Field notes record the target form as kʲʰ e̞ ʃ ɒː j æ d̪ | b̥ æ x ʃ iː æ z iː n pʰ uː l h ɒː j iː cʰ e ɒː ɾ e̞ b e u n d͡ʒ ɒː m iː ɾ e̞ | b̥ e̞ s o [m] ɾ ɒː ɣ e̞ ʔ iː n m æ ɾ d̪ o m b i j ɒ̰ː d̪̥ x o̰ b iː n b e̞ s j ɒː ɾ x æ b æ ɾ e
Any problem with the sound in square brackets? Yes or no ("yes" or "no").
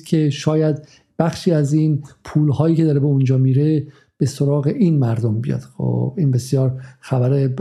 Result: yes